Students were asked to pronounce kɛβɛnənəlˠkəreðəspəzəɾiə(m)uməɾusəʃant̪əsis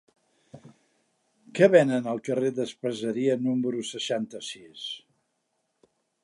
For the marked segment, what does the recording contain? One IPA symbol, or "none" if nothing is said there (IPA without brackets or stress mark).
n